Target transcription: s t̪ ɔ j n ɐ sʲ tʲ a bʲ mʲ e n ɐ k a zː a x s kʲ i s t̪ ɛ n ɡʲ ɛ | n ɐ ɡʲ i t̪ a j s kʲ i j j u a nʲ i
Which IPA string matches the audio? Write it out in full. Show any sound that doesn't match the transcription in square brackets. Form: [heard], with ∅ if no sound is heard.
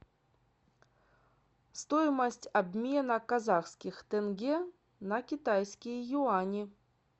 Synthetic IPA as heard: s t̪ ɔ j [m] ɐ sʲ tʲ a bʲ mʲ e n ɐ k a [z] a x s kʲ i [x] t̪ ɛ n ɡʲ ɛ | n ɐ [kʲ] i t̪ a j s kʲ i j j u a nʲ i